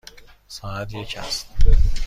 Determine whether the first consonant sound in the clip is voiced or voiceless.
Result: voiceless